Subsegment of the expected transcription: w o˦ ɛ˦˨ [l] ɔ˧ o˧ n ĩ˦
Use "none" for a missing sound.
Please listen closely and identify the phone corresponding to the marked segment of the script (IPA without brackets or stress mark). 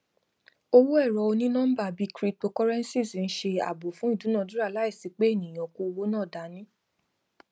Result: ɾ